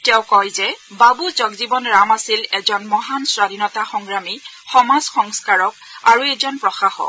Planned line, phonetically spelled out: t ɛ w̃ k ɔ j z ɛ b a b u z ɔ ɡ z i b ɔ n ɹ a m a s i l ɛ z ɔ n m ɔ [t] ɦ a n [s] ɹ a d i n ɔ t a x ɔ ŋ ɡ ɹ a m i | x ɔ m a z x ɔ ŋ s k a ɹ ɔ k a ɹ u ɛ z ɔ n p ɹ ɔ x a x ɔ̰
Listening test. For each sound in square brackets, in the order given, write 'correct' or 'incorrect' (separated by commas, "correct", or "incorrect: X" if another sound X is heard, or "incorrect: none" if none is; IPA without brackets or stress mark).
incorrect: none, correct